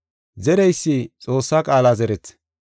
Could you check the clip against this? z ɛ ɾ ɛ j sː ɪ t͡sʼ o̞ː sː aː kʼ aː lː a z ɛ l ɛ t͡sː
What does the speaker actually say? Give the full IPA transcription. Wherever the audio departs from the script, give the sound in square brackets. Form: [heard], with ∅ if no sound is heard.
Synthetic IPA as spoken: z ɛ ɾ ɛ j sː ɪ t͡sʼ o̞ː sː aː kʼ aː [l] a z ɛ [ɾ] ɛ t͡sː